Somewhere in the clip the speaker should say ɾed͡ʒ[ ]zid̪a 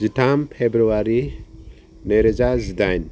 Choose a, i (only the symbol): a